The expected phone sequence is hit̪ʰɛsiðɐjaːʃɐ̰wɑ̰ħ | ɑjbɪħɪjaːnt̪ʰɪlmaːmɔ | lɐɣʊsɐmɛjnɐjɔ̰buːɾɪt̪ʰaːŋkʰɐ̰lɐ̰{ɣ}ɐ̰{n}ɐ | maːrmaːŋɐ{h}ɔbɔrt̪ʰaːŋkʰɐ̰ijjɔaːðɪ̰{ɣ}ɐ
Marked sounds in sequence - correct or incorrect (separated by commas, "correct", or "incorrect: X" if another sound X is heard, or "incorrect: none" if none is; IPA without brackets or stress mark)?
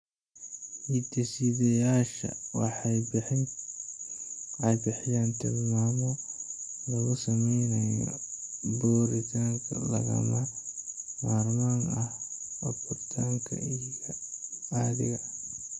correct, incorrect: m, correct, correct